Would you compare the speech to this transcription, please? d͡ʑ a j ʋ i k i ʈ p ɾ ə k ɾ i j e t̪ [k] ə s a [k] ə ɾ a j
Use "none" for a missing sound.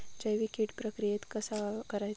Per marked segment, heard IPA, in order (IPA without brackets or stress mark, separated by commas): k, k